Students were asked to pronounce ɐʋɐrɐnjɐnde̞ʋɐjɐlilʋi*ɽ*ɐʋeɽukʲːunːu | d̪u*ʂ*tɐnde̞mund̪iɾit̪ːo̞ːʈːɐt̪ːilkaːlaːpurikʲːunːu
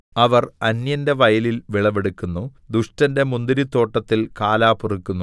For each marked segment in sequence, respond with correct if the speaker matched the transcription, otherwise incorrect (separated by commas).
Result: incorrect, correct